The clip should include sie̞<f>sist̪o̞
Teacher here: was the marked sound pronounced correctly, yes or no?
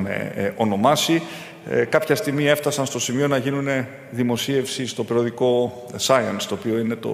yes